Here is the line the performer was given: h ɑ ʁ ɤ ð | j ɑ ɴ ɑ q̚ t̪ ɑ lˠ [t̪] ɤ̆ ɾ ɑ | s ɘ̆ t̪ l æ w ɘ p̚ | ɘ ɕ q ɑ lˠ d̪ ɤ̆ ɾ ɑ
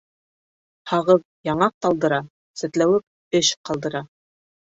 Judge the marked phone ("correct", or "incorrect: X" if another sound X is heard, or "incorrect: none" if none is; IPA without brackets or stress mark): incorrect: d̪